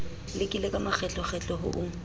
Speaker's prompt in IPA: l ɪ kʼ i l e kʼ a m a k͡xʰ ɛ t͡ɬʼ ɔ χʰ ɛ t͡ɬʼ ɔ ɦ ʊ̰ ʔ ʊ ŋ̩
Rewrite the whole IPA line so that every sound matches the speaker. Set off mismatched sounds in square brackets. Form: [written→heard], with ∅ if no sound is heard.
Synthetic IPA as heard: l ɪ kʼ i l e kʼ a m a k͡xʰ ɛ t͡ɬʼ ɔ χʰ ɛ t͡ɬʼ ɔ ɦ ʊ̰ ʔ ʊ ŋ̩